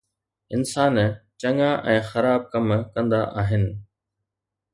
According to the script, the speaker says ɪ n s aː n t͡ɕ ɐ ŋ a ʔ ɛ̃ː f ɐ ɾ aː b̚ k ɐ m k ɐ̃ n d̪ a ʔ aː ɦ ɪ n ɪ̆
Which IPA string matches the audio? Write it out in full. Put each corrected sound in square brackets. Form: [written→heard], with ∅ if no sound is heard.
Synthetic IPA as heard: ɪ n s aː n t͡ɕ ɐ ŋ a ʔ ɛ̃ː [f→x] ɐ ɾ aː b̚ k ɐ m k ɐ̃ n d̪ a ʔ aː ɦ ɪ n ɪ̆